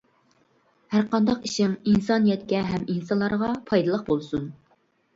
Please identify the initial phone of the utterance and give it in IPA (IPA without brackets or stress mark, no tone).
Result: h